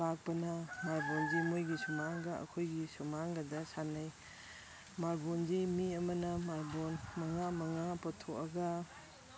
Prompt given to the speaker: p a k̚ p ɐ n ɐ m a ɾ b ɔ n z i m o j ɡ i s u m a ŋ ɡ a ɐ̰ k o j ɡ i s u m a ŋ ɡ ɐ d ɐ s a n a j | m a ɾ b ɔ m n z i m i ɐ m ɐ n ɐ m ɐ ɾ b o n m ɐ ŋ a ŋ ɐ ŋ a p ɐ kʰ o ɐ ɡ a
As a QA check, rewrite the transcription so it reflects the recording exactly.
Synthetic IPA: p a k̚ p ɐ n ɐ m a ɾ b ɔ n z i m o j ɡ i s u m a ŋ ɡ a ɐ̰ kʰ o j ɡ i s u m a ŋ ɡ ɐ d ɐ s a n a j | m a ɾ b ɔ n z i m i ɐ m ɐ n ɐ m a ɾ b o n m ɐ ŋ a m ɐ ŋ a p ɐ tʰ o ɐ ɡ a